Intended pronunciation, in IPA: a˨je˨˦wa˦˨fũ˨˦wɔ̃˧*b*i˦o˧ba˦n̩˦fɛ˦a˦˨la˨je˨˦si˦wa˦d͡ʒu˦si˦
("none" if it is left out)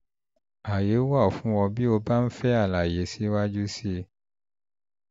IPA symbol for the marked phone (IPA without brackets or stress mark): b